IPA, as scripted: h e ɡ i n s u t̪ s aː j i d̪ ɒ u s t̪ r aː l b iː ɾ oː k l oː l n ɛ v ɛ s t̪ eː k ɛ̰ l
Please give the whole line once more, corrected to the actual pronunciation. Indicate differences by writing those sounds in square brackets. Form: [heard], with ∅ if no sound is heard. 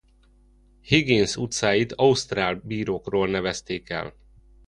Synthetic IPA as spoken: h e ɡ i n s u t̪ s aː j i [t̪] ɒ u s t̪ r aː l b iː ɾ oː k [r] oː l n ɛ v ɛ s t̪ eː k ɛ̰ l